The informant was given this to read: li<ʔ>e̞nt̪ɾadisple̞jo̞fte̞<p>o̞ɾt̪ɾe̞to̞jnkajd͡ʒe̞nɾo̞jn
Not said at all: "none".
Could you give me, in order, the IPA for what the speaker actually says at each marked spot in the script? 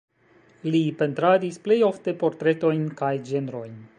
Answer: p, p

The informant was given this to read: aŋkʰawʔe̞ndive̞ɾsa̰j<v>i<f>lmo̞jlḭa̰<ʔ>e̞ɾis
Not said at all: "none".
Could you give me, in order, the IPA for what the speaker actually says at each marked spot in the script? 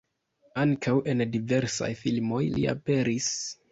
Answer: f, none, p

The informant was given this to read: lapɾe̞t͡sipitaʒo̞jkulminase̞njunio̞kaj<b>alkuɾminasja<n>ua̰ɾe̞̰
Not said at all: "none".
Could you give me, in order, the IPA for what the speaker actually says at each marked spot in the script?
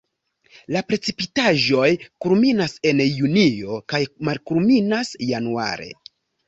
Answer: m, n

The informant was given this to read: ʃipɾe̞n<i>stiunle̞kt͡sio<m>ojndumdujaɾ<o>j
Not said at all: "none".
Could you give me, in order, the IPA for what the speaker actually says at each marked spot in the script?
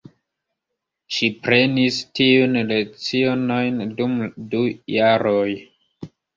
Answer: i, n, o

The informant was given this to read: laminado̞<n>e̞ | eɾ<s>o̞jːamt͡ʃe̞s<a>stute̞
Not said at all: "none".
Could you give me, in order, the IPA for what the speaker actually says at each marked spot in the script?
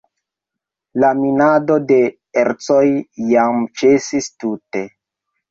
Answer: d, t͡s, i

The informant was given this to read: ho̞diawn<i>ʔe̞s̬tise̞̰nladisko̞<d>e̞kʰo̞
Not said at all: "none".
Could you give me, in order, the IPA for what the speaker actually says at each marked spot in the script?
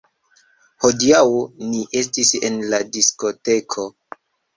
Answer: i, t

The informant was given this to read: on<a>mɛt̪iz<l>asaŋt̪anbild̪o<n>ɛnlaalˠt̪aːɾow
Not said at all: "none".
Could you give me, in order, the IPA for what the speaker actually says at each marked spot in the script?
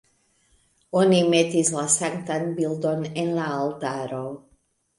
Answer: i, l, n

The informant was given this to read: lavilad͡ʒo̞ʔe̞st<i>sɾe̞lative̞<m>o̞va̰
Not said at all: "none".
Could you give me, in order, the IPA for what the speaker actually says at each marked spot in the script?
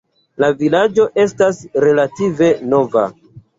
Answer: a, n

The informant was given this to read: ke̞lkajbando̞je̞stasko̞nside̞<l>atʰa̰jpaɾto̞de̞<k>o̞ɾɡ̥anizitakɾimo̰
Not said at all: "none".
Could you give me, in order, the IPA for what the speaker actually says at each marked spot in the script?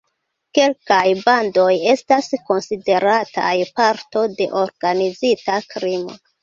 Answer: ɾ, ʔ

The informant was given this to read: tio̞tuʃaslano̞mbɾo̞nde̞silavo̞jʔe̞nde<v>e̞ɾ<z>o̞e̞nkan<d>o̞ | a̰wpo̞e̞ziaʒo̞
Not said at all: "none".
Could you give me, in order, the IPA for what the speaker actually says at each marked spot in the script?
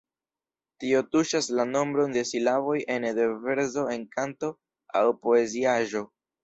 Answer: v, z, t

